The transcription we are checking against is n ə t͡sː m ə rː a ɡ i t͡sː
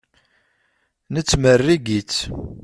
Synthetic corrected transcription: n ə t͡sː m ə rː i ɡ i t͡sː